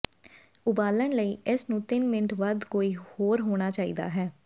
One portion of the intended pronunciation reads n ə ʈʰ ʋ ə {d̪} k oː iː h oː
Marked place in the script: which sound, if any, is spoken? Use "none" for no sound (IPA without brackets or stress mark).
d̪